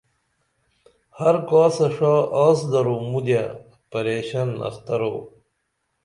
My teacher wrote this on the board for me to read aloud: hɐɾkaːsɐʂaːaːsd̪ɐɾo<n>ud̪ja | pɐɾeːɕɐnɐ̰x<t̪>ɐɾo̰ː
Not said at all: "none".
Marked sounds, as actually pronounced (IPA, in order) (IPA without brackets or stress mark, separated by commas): m, t̪